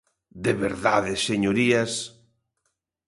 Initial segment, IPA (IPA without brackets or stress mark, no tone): d̪